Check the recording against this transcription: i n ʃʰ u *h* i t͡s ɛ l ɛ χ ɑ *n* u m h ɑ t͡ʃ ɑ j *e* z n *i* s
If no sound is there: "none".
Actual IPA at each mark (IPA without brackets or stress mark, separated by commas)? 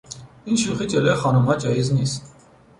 χ, n, i, i